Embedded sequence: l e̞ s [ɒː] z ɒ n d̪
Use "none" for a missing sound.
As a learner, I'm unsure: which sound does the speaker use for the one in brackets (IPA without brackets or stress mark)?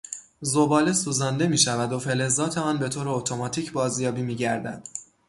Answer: uː